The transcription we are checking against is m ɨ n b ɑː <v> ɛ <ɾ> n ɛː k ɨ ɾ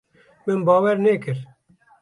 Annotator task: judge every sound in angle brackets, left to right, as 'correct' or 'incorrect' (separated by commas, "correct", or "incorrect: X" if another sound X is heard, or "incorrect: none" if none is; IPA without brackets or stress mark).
incorrect: w, correct